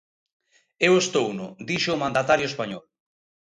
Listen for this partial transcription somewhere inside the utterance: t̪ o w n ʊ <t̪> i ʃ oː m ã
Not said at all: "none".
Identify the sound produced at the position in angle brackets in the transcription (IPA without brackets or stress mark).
d̪